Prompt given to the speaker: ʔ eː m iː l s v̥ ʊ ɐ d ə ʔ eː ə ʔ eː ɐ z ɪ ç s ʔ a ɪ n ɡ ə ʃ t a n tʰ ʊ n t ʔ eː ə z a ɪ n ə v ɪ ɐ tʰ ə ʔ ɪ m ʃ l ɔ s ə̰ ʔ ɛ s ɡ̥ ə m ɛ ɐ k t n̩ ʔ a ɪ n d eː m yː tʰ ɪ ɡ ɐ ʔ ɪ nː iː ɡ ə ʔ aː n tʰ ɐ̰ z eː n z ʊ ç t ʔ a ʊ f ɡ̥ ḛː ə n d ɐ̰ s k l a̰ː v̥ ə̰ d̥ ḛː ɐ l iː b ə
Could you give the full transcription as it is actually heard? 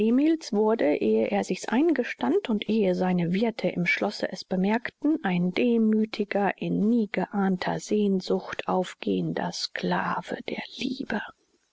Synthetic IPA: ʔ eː m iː l s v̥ ʊ ɐ d ə ʔ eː ə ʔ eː ɐ z ɪ ç s ʔ a ɪ n ɡ ə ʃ t a n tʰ ʊ n t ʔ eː ə z a ɪ n ə v ɪ ɐ tʰ ə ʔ ɪ m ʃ l ɔ s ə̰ ʔ ɛ s b̥ ə m ɛ ɐ k t n̩ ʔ a ɪ n d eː m yː tʰ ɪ ɡ ɐ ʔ ɪ nː iː ɡ ə ʔ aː n tʰ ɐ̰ z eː n z ʊ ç t ʔ a ʊ f ɡ̥ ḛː ə n d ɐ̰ s k l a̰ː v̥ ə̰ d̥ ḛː ɐ l iː b ə